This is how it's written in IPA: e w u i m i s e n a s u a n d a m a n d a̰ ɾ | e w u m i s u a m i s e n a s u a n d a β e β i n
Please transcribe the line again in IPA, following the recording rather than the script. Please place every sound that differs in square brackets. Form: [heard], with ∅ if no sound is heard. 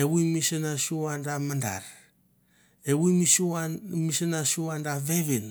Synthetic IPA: e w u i m i s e n a s u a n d a m a n d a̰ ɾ | e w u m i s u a m i s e n a s u a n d a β e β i n